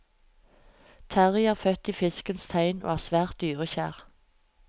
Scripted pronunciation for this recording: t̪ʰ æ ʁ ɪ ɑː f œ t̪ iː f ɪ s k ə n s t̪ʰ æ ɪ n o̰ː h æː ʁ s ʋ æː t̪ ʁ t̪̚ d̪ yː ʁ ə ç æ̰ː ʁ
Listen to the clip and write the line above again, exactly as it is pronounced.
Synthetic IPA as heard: t̪ʰ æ ʁ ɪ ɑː f œ t̪ iː f ɪ s k ə n s t̪ʰ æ ɪ n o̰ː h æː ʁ s ʋ æː ʁ t̪̚ d̪ yː ʁ ə ç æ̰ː ʁ